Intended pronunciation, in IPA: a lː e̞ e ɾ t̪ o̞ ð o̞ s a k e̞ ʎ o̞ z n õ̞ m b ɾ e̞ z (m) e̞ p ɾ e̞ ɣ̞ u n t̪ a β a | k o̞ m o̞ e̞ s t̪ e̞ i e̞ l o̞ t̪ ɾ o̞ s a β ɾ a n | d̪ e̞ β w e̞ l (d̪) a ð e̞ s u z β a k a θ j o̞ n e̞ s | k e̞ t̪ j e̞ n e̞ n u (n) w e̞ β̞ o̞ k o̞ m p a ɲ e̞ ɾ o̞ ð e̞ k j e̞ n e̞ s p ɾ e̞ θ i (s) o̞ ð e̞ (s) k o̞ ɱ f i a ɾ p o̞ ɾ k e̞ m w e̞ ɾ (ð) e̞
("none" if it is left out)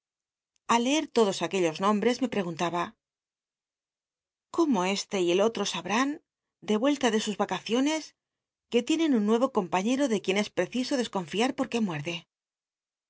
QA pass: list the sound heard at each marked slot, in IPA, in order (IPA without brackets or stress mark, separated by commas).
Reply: m, t̪, nː, s, s, ð